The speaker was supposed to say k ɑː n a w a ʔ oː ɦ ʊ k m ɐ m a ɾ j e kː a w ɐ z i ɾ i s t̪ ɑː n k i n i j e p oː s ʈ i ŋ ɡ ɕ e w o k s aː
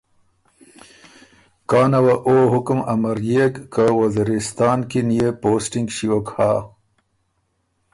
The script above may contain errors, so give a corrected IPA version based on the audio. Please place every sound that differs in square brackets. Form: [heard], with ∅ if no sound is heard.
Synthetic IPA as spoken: k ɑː n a w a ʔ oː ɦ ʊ k m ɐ m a ɾ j e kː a w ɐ z i ɾ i s t̪ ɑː n k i n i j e p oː s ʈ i ŋ ɡ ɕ [i] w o k [h] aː